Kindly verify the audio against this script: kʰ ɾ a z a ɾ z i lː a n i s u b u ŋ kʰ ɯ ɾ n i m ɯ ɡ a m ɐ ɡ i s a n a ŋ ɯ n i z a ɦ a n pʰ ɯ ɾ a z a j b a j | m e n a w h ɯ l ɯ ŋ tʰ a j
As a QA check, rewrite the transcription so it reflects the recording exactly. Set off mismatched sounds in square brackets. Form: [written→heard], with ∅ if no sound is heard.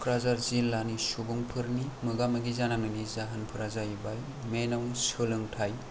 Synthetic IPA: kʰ ɾ a z a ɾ z i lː a n i s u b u ŋ [kʰ→pʰ] ɯ ɾ n i m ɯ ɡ a m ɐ ɡ i [s→z] a n a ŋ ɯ n i z a ɦ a n pʰ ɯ ɾ a z a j b a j | m e n a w [h→s] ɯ l ɯ ŋ tʰ a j